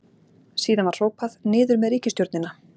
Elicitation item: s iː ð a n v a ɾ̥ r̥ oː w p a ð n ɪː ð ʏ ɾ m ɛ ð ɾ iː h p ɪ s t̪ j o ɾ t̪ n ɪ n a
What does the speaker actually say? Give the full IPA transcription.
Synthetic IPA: s iː ð a n v a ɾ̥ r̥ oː w p a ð n ɪː ð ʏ ɾ m ɛ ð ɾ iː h c ɪ s t̪ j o ɾ t̪ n ɪ n a

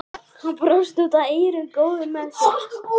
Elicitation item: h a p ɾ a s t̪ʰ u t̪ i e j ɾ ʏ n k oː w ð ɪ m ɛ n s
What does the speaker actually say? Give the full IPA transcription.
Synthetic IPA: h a p ɾ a s t̪ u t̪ a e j ɾ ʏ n k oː w ð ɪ m ɛ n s

